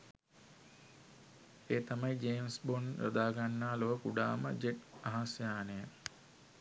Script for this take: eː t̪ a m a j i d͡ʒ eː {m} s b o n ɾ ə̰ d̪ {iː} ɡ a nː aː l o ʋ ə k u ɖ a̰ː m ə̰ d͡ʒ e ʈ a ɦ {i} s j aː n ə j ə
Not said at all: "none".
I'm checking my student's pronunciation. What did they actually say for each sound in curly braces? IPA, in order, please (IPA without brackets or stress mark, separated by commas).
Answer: m, aː, a